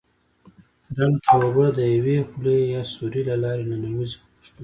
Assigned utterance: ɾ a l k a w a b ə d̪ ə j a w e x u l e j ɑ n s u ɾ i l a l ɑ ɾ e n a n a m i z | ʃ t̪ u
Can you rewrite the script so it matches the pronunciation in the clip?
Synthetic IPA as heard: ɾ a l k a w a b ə d̪ ə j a w e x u l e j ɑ s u ɾ i l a l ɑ ɾ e n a n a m i z | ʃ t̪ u